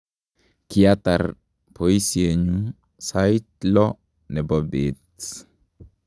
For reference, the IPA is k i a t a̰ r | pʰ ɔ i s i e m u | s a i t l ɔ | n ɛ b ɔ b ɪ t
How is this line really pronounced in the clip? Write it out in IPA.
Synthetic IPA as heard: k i a t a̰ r | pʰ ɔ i s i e ɲ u | s a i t l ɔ | n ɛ b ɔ b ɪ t